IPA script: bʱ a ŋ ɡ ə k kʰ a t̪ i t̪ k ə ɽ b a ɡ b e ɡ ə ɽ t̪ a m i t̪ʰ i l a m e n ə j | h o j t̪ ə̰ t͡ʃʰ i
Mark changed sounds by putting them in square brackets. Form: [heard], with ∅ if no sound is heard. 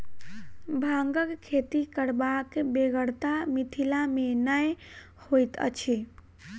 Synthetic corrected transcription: bʱ a ŋ ɡ ə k kʰ [e] t̪ i [∅] k ə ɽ b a [k] b e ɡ ə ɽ t̪ a m i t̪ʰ i l a m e n ə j | h o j t̪ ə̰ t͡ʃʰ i